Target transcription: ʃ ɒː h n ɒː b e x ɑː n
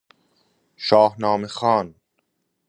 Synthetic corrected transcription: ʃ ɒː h n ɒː m e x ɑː n

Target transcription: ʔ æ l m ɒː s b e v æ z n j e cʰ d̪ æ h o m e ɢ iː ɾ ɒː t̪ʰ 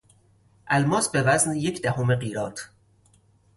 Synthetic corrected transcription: ʔ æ l m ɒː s b e v æ z n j e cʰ d̪ æ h o m e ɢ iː ɾ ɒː t̪ʰ

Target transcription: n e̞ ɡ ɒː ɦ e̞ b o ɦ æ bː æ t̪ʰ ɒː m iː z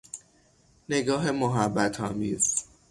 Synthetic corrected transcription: n e̞ ɡ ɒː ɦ e̞ m o ɦ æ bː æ t̪ʰ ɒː m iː z

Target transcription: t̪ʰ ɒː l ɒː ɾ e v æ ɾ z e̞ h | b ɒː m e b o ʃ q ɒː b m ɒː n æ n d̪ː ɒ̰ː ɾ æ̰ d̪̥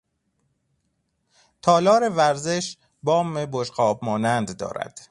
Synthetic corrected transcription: t̪ʰ ɒː l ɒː ɾ e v æ ɾ z e̞ ʃ | b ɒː m e b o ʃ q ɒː b m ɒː n æ n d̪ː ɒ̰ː ɾ æ̰ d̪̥

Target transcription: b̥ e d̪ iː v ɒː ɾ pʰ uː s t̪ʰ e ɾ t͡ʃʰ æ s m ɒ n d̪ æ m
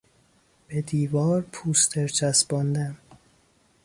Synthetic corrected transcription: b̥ e d̪ iː v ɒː ɾ pʰ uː s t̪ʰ e ɾ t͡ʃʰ æ s b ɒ n d̪ æ m

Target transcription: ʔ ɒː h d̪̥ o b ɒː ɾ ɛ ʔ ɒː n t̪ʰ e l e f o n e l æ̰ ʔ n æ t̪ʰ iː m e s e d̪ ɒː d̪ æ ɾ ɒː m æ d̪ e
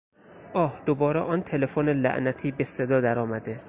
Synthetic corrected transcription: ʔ ɒː h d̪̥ o b ɒː ɾ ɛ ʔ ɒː n t̪ʰ e l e f o n e l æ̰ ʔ n æ t̪ʰ iː b e s e d̪ ɒː d̪ æ ɾ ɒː m æ d̪ e

